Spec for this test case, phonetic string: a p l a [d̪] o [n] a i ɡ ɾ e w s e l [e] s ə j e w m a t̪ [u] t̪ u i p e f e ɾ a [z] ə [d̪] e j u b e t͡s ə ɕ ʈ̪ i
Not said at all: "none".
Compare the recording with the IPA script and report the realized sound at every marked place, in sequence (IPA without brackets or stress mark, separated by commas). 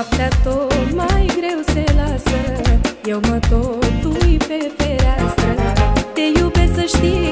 t̪, m, a, o, s, t̪